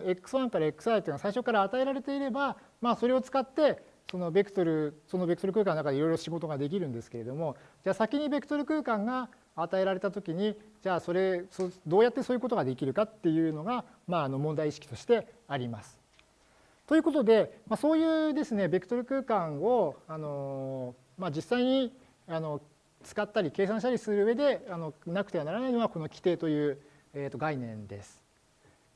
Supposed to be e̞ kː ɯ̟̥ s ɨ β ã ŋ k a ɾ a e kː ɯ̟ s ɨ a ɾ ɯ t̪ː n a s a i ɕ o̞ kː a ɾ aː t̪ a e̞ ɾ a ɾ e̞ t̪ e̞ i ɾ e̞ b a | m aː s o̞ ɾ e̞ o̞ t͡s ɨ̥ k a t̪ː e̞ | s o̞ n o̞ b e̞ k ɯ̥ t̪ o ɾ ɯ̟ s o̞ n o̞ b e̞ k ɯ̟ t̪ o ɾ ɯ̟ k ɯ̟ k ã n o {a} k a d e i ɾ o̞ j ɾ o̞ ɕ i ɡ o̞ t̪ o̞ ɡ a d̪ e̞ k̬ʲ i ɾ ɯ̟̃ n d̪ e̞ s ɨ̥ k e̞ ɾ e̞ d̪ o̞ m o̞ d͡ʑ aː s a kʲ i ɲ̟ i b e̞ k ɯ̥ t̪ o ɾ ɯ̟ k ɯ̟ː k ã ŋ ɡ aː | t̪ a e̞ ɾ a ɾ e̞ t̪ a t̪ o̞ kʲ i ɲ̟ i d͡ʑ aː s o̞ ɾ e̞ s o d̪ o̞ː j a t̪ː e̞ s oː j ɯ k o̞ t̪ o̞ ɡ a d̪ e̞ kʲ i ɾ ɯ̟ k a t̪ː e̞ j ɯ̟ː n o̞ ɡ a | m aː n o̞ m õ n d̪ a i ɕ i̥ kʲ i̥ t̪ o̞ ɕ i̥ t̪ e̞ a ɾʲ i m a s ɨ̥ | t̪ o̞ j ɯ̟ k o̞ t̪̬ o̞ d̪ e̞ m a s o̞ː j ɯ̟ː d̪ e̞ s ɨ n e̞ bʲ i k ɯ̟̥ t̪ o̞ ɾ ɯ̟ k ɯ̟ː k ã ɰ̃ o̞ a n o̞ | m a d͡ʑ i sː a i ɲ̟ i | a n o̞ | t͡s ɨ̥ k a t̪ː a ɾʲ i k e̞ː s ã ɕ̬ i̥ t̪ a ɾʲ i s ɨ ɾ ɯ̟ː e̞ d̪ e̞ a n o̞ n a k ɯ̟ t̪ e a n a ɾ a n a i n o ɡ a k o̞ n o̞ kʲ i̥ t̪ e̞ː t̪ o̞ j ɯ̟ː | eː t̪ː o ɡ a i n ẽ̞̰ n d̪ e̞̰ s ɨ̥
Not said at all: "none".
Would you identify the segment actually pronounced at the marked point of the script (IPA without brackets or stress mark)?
a